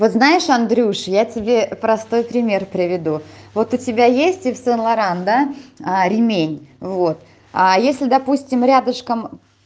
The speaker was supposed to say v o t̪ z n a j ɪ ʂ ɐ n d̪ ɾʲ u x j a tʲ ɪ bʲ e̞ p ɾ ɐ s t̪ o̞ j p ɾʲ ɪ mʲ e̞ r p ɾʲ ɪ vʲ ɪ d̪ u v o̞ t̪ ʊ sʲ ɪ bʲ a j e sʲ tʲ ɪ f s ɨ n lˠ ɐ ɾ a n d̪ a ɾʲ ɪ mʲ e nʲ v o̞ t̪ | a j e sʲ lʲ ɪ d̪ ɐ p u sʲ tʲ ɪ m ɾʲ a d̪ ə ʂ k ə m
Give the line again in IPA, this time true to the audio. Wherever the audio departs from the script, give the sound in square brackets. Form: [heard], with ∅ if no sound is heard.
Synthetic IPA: v o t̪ z n a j ɪ ʂ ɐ n d̪ ɾʲ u [ʂ] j a tʲ ɪ bʲ e̞ p ɾ ɐ s t̪ o̞ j p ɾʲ ɪ mʲ e̞ r p ɾʲ ɪ vʲ ɪ d̪ u v o̞ t̪ ʊ [tʲ] ɪ bʲ a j e sʲ tʲ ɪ f s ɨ n lˠ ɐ ɾ a n d̪ a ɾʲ ɪ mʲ e nʲ v o̞ t̪ | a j e sʲ lʲ ɪ d̪ ɐ p u sʲ tʲ ɪ m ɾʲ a d̪ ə ʂ k ə m

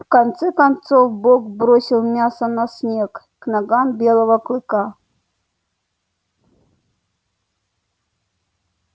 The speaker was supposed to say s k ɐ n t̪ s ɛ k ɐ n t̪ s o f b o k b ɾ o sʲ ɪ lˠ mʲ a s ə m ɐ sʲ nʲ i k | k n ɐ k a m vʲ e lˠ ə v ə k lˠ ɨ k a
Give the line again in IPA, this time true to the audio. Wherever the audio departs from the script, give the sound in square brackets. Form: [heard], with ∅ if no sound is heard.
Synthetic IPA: [f] k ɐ n t̪ s ɛ k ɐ n t̪ s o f b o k b ɾ o sʲ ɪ lˠ mʲ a s ə [n] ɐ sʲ nʲ [e] k | k n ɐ [ɡ] a m [bʲ] e lˠ ə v ə k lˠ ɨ k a

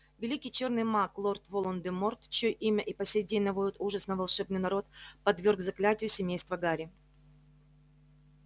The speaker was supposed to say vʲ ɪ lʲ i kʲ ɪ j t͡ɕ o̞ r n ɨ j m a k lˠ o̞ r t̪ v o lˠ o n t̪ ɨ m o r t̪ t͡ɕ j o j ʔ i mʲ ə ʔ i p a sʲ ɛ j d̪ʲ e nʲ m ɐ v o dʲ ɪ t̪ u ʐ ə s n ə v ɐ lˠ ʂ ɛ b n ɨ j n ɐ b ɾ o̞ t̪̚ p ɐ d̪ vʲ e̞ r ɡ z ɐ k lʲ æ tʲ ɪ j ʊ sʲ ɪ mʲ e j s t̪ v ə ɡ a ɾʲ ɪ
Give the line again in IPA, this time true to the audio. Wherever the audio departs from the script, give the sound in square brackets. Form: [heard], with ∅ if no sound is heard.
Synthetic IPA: vʲ ɪ lʲ i kʲ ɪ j t͡ɕ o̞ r n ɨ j m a k lˠ o̞ r t̪ v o lˠ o n [d̪] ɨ m o r t̪ t͡ɕ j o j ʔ i mʲ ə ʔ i p [ɐ] sʲ [e] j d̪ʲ e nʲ [n] ɐ v o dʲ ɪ t̪ u ʐ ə s n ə v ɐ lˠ ʂ ɛ b n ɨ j n ɐ [∅] ɾ o̞ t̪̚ p ɐ d̪ vʲ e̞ r ɡ z ɐ k lʲ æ tʲ ɪ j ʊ sʲ ɪ mʲ e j s t̪ v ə ɡ a ɾʲ ɪ

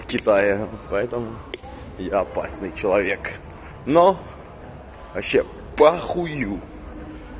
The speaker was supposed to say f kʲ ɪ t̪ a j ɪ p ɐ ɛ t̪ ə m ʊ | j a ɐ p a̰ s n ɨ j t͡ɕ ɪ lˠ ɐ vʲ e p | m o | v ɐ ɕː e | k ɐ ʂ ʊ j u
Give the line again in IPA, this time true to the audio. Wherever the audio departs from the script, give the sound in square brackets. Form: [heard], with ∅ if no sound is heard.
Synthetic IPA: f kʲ ɪ t̪ a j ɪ p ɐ ɛ t̪ ə m ʊ | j a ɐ p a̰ s n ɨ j t͡ɕ ɪ lˠ ɐ vʲ e [k] | [n] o | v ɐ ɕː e | [p] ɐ [x] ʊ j u

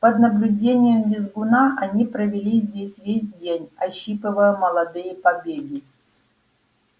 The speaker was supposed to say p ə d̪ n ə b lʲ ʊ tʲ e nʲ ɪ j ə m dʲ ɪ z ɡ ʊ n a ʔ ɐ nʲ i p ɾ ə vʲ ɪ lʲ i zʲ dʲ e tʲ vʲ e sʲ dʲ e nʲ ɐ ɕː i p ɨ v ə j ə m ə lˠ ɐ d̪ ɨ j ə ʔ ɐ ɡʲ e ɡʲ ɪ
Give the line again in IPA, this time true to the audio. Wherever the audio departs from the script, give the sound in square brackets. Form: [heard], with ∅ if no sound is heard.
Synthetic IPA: p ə d̪ n ə b lʲ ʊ [dʲ] e nʲ ɪ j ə m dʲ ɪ z ɡ ʊ n a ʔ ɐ nʲ i p ɾ ə vʲ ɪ lʲ i zʲ dʲ e [sʲ] vʲ e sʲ dʲ e nʲ ɐ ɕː i p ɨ v ə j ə m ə lˠ ɐ d̪ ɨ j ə [p] ɐ [bʲ] e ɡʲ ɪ

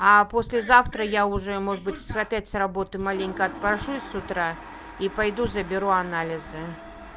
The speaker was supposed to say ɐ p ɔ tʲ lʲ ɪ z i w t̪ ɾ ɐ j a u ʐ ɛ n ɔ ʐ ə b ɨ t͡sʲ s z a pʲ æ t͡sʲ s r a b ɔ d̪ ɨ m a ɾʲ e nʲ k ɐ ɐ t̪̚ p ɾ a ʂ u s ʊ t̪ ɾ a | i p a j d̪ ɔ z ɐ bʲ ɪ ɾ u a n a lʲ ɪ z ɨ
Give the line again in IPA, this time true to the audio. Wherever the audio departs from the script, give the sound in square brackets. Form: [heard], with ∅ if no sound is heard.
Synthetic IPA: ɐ p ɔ [sʲ] lʲ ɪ z [a] w t̪ ɾ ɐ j a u ʐ ɛ [m] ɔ ʐ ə b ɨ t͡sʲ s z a pʲ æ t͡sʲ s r a b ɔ [t̪] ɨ m a [lʲ] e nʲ k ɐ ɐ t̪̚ p ɾ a ʂ u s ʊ t̪ ɾ a | i p a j d̪ [u] z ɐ bʲ ɪ ɾ u a n a lʲ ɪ z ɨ

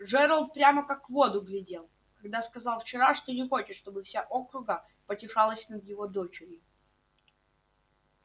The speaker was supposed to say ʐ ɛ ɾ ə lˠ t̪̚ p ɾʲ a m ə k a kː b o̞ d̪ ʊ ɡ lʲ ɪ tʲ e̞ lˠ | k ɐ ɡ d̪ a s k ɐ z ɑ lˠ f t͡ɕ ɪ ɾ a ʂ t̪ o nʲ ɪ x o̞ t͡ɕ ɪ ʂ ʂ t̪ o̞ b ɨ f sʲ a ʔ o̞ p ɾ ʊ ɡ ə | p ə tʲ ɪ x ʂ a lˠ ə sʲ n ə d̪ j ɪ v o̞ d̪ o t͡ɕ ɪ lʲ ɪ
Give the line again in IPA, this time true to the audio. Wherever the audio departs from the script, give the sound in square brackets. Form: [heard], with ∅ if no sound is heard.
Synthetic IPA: ʐ ɛ ɾ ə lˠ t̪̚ p ɾʲ a m ə k a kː [v] o̞ d̪ ʊ ɡ lʲ ɪ [dʲ] e̞ lˠ | k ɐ ɡ d̪ a s k ɐ z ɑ lˠ f t͡ɕ ɪ ɾ a ʂ t̪ o nʲ ɪ x o̞ t͡ɕ ɪ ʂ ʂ t̪ o̞ b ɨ f sʲ a ʔ o̞ [k] ɾ ʊ ɡ ə | p ə tʲ ɪ [∅] ʂ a lˠ ə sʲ n ə d̪ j ɪ v o̞ d̪ o t͡ɕ ɪ [ɾʲ] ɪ

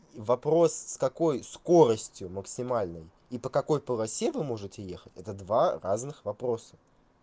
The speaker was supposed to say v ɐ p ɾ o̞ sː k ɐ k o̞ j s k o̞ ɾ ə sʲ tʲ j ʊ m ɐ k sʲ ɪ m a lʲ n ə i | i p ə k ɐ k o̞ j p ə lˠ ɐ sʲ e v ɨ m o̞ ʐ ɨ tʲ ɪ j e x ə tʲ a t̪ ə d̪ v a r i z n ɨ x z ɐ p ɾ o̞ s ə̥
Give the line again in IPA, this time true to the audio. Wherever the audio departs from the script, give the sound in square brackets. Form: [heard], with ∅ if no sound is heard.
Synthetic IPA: v ɐ p ɾ o̞ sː k ɐ k o̞ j s k o̞ ɾ ə sʲ tʲ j ʊ m [ə] k sʲ ɪ m a lʲ n ə [j] | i p ə k ɐ k o̞ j p ə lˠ ɐ sʲ e v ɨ m o̞ ʐ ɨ tʲ ɪ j e x ə tʲ [ɛ] t̪ ə d̪ v a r [a] z n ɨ x [v] ɐ p ɾ o̞ s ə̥

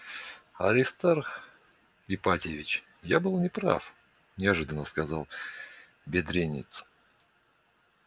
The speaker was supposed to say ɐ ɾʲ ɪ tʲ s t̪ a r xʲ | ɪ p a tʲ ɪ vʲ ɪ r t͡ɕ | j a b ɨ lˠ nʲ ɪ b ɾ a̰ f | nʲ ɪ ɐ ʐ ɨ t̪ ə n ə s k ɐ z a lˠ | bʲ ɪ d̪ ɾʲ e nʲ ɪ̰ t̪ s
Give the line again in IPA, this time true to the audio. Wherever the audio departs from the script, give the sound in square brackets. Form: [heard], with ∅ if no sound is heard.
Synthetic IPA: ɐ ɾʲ ɪ [∅] s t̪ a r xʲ | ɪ p a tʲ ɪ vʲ ɪ [∅] t͡ɕ | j a b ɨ lˠ nʲ ɪ [p] ɾ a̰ f | nʲ ɪ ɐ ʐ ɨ [d̪] ə n ə s k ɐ z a lˠ | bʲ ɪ d̪ ɾʲ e nʲ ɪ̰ t̪ s

